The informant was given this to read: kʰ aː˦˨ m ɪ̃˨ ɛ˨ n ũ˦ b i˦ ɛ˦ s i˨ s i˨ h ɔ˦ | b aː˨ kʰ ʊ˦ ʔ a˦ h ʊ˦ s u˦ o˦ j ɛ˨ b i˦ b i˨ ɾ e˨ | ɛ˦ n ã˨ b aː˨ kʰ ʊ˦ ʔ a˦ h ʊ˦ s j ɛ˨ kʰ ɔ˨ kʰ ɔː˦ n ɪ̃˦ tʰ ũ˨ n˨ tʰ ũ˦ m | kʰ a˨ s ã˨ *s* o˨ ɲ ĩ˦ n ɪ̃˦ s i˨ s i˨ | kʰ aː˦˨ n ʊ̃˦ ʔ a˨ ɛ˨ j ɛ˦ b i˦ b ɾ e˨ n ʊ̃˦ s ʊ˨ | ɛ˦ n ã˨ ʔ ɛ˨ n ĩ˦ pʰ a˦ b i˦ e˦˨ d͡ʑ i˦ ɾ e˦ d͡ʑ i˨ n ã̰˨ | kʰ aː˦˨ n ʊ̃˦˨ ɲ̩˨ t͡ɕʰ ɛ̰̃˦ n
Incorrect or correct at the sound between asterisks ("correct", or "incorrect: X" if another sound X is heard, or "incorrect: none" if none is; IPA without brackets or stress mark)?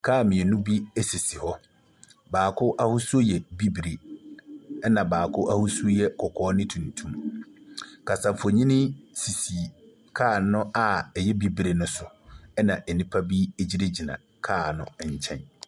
incorrect: f